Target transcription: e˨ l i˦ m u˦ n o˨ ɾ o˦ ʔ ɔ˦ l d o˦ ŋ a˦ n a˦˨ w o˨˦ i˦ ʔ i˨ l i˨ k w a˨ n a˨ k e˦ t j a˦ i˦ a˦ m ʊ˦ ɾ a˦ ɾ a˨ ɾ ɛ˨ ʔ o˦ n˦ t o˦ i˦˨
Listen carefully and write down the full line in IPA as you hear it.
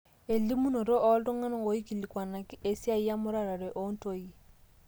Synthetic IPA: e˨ l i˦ m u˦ n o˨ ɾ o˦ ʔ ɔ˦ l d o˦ ŋ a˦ n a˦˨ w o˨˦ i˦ k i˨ l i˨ k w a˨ n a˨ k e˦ s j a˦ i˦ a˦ m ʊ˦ ɾ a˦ ɾ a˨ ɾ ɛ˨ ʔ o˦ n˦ t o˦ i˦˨